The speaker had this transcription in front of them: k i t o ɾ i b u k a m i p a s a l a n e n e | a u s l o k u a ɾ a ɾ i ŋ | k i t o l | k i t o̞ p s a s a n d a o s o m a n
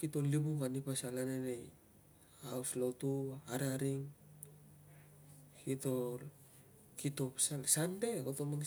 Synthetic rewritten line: k i t o l i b u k a n i p a s a l a n e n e | a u s l o t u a ɾ a ɾ i ŋ | k i t o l | k i t o̞ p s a s a n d e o t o m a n